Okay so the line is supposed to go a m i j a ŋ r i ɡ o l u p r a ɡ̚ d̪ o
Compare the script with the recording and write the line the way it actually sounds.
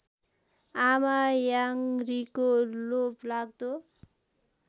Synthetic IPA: a m a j a ŋ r i k o l o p l a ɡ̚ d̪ o